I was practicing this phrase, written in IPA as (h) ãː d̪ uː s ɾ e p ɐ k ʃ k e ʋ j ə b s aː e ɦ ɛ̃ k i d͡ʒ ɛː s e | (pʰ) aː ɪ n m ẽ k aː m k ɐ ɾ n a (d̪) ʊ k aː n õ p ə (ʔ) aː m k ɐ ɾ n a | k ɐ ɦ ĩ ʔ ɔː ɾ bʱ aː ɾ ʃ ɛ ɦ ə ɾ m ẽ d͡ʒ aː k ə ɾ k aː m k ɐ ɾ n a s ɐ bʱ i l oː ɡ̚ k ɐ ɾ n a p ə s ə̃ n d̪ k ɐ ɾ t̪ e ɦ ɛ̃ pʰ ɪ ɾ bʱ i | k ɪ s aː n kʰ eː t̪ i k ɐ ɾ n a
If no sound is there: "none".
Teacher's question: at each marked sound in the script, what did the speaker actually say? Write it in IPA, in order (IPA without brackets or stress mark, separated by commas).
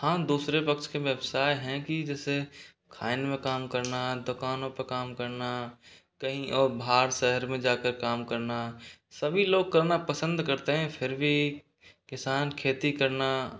h, kʰ, d̪, k